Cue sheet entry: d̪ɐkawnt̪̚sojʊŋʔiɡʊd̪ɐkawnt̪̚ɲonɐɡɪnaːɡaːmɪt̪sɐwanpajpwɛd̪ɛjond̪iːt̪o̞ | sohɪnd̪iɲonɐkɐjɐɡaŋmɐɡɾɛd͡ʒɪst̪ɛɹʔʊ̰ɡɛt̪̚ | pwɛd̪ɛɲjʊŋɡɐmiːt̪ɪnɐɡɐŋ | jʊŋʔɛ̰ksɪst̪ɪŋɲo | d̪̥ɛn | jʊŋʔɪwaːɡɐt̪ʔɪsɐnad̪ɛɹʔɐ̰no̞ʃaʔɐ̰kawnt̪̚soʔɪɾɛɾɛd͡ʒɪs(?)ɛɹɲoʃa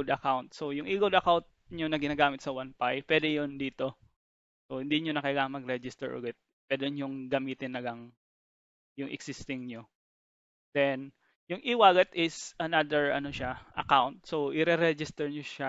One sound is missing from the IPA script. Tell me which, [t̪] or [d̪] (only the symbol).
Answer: t̪